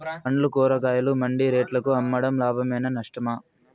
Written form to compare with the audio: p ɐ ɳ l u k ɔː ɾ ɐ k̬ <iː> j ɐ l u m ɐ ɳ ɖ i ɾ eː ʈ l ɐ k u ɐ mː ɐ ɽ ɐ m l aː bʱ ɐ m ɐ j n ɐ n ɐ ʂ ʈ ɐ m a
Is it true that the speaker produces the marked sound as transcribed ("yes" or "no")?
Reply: no